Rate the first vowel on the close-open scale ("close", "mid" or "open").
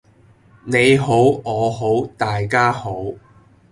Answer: mid